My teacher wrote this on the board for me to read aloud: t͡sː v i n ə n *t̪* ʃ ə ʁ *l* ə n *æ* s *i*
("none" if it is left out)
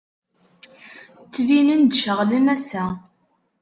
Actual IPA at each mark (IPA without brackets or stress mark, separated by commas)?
d̪, l, æ, æ